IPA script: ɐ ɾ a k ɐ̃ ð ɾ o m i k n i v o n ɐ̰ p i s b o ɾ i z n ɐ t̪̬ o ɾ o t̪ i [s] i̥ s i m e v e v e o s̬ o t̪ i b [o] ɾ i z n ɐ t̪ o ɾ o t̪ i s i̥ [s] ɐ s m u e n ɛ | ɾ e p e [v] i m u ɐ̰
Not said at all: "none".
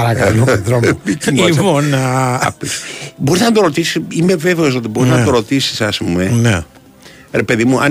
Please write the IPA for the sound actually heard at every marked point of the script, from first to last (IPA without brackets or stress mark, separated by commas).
s, o, s, ð